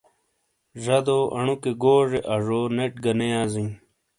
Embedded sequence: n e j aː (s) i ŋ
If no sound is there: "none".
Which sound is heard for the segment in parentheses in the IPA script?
z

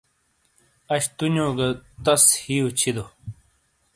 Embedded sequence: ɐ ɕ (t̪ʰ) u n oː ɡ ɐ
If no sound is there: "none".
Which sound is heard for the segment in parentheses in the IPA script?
t̪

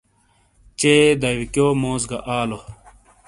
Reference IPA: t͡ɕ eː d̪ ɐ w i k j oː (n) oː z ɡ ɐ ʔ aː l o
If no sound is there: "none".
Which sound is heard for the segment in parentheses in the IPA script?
m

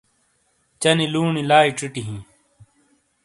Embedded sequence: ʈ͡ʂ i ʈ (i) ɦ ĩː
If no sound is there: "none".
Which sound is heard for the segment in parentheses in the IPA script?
i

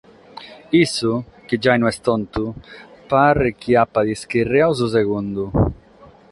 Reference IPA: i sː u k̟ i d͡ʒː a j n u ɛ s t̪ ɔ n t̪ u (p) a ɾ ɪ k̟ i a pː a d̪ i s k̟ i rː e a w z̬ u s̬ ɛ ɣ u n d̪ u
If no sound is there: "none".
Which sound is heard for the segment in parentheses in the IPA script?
p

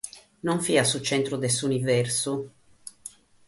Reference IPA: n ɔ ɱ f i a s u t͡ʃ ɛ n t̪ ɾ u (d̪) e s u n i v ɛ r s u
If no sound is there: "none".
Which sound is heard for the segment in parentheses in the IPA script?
d̪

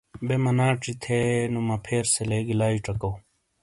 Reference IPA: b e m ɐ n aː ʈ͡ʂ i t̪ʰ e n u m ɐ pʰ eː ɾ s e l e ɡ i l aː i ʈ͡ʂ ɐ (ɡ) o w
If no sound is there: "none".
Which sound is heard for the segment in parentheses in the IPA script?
k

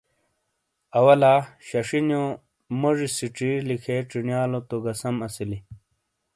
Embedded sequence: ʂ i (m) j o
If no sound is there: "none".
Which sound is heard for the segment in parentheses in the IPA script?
n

